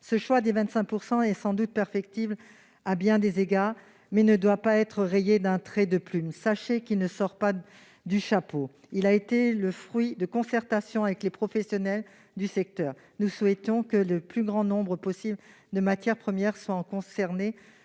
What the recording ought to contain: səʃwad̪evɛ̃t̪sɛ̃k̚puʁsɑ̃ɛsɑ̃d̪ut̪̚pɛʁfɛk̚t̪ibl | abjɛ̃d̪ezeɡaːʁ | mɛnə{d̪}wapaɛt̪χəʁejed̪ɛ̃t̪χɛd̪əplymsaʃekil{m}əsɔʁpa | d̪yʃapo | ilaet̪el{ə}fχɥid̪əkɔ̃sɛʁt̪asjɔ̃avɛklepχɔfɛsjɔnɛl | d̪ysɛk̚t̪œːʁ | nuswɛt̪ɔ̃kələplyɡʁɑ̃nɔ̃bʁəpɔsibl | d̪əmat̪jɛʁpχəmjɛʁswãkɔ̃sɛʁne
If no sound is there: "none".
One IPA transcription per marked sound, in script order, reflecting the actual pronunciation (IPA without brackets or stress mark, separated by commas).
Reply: d̪, n, ə